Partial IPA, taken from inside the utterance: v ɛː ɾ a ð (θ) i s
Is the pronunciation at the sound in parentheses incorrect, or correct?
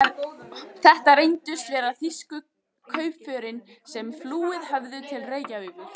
correct